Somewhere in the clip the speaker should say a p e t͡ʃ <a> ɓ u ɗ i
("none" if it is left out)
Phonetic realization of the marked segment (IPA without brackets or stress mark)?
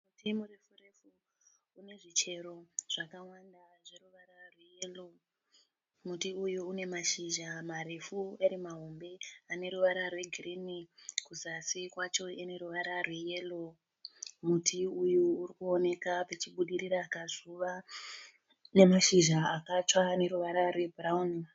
i